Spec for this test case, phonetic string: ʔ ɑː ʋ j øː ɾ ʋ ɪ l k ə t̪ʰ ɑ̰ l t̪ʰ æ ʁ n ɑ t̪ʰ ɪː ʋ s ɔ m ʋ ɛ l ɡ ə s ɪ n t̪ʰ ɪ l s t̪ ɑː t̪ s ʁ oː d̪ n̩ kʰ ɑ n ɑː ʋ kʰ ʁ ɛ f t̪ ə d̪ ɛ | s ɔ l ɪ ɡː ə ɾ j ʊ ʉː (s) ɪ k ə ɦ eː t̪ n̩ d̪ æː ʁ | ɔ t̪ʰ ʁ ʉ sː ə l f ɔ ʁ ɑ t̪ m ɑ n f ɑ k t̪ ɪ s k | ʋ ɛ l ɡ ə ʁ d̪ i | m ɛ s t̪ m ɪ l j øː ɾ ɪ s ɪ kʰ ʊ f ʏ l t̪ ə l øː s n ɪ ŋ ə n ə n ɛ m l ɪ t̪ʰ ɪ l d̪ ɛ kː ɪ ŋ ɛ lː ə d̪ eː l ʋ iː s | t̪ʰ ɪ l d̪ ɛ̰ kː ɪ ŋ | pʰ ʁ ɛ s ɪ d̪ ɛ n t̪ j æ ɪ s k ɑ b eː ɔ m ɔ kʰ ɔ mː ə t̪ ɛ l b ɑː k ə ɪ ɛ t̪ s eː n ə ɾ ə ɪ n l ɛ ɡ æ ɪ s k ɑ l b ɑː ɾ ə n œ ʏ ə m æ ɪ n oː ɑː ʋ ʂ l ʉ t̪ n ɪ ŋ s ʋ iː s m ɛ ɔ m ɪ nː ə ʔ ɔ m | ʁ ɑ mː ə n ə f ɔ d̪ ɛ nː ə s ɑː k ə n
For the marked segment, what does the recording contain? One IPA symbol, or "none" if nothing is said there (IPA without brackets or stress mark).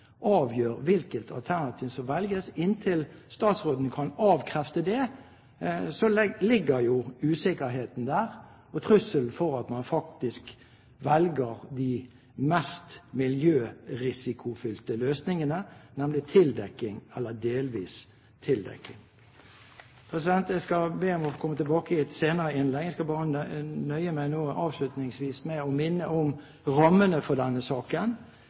s